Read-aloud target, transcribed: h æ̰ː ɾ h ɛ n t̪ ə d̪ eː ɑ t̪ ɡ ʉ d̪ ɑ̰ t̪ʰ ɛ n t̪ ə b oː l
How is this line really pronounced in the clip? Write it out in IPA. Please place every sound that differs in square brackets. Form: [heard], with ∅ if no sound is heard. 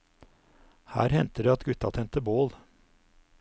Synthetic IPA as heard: h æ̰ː ɾ h ɛ n t̪ ə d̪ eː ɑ t̪ ɡ ʉ [t̪] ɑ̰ t̪ʰ ɛ n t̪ ə b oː l